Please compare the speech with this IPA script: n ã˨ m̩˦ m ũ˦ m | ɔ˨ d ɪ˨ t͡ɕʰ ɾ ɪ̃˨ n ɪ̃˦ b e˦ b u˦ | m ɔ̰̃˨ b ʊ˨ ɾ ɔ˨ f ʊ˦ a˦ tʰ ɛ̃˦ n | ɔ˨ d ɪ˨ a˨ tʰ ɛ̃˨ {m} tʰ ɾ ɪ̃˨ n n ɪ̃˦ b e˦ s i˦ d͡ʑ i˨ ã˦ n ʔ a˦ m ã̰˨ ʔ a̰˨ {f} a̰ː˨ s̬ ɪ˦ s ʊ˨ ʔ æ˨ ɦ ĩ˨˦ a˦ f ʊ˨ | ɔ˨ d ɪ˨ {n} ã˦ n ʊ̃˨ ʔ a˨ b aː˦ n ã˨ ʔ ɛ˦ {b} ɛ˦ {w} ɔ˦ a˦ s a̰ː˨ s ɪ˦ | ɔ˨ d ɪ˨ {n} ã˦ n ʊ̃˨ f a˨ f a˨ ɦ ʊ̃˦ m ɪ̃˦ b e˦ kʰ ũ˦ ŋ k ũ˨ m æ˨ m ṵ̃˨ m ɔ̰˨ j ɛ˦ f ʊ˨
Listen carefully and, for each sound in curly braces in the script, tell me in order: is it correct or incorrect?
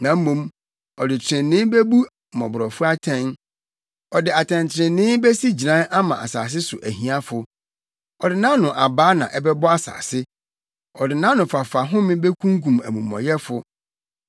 incorrect: n, incorrect: s, correct, correct, incorrect: b, correct

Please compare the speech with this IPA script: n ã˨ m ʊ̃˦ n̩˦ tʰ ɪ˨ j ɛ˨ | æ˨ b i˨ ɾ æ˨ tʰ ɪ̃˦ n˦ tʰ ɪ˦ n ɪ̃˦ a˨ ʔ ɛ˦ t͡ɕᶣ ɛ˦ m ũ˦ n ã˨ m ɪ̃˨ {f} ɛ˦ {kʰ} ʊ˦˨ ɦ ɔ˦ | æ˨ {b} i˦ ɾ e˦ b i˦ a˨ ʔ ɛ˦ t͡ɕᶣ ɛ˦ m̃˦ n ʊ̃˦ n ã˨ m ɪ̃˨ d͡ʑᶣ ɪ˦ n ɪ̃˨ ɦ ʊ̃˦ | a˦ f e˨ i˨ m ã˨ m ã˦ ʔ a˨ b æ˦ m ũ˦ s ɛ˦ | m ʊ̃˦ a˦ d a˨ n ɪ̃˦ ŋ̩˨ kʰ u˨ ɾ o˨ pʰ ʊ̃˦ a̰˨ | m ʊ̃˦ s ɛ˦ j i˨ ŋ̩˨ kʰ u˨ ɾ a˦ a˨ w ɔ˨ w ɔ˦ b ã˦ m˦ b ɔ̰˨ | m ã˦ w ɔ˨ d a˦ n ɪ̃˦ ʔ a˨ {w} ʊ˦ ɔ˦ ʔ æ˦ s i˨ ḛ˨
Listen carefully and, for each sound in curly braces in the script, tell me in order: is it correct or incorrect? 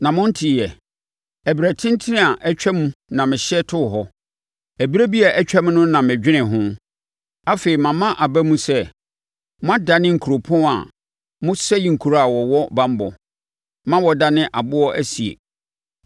incorrect: ɕ, incorrect: tʰ, correct, incorrect: b

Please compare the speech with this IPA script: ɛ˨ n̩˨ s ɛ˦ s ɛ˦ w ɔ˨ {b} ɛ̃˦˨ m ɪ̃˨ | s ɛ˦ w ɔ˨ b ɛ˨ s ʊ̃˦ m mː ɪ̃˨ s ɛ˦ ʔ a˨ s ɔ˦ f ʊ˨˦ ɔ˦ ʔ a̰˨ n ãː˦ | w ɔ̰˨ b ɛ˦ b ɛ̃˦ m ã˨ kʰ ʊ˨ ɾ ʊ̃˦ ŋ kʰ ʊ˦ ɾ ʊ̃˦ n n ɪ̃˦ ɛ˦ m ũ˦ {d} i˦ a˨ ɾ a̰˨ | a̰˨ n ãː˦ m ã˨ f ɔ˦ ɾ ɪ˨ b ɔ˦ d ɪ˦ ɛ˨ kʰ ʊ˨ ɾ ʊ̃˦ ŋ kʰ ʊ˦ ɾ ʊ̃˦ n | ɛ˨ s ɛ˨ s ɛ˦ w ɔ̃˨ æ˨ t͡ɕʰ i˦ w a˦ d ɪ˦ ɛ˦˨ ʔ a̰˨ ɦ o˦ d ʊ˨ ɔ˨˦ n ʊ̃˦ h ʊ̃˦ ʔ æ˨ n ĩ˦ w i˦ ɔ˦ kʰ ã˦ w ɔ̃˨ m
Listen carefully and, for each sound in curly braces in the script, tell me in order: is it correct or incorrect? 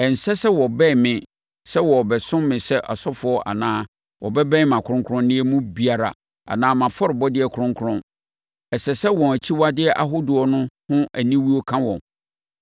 correct, incorrect: b

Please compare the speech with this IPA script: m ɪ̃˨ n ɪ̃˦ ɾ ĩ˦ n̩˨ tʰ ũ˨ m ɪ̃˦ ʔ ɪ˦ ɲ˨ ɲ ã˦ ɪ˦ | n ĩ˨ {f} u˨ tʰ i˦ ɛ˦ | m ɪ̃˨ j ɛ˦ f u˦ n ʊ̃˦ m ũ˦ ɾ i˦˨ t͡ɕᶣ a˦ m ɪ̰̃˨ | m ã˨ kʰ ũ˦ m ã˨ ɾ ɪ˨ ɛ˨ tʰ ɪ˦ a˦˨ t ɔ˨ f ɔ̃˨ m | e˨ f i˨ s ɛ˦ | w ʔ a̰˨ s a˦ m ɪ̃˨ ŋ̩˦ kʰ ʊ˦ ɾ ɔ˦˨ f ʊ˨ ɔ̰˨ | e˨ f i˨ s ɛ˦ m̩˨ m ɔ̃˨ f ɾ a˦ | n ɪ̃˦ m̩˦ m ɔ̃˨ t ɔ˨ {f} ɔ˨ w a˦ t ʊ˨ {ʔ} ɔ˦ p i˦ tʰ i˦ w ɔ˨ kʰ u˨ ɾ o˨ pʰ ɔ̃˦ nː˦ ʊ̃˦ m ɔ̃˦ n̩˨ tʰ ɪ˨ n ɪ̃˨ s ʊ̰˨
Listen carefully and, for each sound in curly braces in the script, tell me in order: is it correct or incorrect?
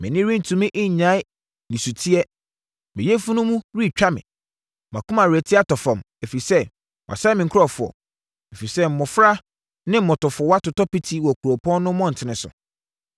incorrect: s, correct, incorrect: t

